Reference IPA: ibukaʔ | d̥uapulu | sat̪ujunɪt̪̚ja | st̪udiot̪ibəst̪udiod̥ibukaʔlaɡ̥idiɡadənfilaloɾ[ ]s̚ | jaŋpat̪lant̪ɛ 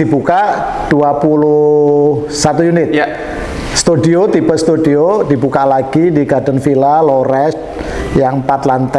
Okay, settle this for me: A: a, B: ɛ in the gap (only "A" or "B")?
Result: B